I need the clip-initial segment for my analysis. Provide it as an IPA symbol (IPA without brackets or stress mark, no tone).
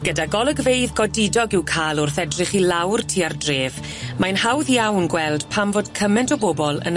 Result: ɡ̥